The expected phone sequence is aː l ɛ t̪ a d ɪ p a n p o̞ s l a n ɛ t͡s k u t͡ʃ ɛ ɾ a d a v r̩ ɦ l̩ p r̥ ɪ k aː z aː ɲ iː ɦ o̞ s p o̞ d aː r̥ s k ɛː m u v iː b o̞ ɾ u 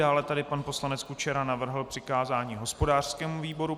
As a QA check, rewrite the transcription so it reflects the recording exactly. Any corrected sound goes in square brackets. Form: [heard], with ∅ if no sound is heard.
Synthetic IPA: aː l ɛ t̪ a d ɪ p a n p o̞ s l a n ɛ t͡s k u t͡ʃ ɛ ɾ a [n] a v r̩ ɦ l̩ p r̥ ɪ k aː z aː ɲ iː ɦ o̞ s p o̞ d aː r̥ s k ɛː m u v iː b o̞ ɾ u

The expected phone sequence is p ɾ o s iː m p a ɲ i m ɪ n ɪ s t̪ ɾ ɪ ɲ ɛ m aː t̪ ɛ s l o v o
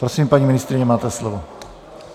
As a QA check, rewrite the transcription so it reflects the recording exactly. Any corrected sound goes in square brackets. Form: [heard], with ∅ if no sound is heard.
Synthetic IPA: p ɾ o s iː m p a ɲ i m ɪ n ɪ s t̪ ɾ ɪ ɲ ɛ m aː t̪ ɛ s l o v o

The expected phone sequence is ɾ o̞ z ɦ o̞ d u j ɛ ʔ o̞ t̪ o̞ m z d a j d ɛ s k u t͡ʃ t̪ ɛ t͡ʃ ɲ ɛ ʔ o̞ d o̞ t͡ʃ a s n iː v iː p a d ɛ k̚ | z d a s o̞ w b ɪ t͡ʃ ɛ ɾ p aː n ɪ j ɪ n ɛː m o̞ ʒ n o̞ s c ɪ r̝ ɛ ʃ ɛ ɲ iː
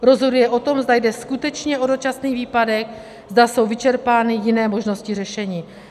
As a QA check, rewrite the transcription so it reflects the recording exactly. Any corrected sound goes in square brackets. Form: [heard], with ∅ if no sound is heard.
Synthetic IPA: ɾ o̞ z ɦ o̞ d u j ɛ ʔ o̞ t̪ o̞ m z d a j d ɛ s k u [∅] t̪ ɛ t͡ʃ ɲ ɛ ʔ o̞ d o̞ t͡ʃ a s n iː v iː p a d ɛ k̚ | z d a s o̞ w [v] ɪ t͡ʃ ɛ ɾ p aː n ɪ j ɪ n ɛː m o̞ ʒ n o̞ s c ɪ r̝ ɛ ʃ ɛ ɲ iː

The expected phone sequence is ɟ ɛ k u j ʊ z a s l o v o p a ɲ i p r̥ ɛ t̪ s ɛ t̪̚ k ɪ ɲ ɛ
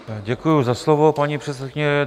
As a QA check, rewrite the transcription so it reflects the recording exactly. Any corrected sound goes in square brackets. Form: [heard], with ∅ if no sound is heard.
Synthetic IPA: ɟ ɛ k u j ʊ z a s l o v o p a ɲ i p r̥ ɛ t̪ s ɛ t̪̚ k ɪ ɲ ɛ

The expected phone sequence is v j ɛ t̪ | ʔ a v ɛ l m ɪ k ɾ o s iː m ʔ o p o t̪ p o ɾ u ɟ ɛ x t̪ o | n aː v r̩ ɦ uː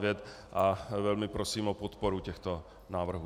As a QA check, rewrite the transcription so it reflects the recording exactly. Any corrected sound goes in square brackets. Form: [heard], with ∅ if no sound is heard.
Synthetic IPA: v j ɛ t̪ | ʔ a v ɛ l m ɪ [p] ɾ o s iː m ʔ o p o t̪ p o ɾ u [c] ɛ x t̪ o | n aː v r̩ ɦ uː

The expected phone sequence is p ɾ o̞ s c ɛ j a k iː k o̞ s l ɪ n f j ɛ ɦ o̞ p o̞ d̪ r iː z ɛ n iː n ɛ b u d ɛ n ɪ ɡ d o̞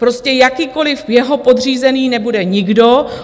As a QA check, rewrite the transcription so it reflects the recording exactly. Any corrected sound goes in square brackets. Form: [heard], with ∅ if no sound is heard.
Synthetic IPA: p ɾ o̞ s c ɛ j a k iː k o̞ [∅] l ɪ [∅] f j ɛ ɦ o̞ p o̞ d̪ r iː z ɛ n iː n ɛ b u d ɛ [ɲ] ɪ ɡ d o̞

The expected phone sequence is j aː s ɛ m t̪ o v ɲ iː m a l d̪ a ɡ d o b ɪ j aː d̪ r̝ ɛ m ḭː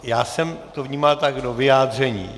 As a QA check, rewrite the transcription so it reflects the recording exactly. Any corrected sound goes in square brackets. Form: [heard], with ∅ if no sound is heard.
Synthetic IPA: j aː s ɛ m t̪ o v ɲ iː m a l [t̪] a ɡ d o [v] ɪ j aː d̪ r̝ ɛ [ɲ] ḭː

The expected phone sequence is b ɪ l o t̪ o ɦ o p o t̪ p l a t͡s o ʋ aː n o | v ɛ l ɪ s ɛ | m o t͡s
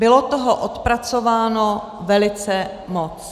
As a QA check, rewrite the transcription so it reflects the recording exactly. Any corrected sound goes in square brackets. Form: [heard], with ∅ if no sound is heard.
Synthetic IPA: b ɪ l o t̪ o ɦ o [ʔ] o t̪ p [ɾ] a t͡s o [v] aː n o | v ɛ l ɪ [t͡s] ɛ | m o t͡s

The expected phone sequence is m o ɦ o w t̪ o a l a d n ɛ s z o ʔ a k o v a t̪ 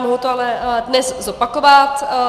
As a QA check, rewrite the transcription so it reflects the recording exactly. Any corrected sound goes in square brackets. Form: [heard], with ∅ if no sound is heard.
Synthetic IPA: m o ɦ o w t̪ o a l [ɛ] d n ɛ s z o [p] a k o v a t̪

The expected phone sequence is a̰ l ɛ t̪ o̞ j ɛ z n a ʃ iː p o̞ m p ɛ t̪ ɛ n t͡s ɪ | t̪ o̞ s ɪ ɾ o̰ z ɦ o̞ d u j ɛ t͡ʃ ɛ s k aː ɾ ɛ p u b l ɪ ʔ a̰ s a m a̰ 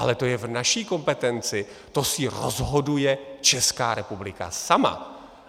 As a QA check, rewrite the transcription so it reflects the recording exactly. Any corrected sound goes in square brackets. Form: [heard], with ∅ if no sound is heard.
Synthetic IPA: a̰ l ɛ t̪ o̞ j ɛ [v] n a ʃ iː [k] o̞ m p ɛ t̪ ɛ n t͡s ɪ | t̪ o̞ s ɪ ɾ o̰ z ɦ o̞ d u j ɛ t͡ʃ ɛ s k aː ɾ ɛ p u b l ɪ [k] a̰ s a m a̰

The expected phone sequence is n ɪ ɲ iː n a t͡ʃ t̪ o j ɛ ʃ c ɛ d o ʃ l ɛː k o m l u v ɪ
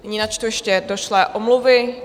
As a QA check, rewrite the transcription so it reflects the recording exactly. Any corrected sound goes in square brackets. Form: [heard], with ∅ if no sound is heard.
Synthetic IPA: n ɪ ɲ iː n a t͡ʃ t̪ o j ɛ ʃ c ɛ d o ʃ l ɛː [ʔ] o m l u v ɪ

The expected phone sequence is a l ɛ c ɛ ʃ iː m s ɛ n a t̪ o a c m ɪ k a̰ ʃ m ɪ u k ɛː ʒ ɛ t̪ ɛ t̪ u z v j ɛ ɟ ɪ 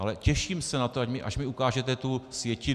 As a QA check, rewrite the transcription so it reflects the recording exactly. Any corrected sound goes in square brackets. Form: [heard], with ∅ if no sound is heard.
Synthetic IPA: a l ɛ c ɛ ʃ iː m s ɛ n a t̪ o a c m ɪ [ʔ] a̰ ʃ m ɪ u k [aː] ʒ ɛ t̪ ɛ t̪ u [s] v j ɛ [c] ɪ

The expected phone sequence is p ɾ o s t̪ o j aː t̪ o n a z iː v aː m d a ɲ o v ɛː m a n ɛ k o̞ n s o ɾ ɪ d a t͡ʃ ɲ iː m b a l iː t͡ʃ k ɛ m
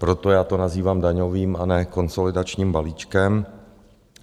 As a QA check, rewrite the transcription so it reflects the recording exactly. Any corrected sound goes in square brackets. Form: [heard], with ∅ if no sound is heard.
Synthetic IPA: p ɾ o [∅] t̪ o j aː t̪ o n a z iː v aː m d a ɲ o v [iː] m a n ɛ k o̞ n s o [l] ɪ d a t͡ʃ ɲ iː m b a l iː t͡ʃ k ɛ m

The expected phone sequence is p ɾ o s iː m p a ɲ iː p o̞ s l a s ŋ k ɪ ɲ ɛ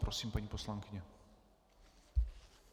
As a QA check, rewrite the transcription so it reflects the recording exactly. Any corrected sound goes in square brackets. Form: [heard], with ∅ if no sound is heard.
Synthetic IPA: p ɾ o s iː m p a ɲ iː p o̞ s l a [∅] ŋ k ɪ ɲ ɛ

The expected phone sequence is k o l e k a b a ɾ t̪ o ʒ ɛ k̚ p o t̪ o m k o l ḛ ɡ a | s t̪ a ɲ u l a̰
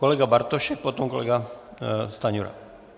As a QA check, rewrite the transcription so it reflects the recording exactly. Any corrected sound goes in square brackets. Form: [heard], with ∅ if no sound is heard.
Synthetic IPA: k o l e [ɡ] a b a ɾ t̪ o [ʃ] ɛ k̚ p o t̪ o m k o l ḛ ɡ a | s t̪ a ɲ u [ɾ] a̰

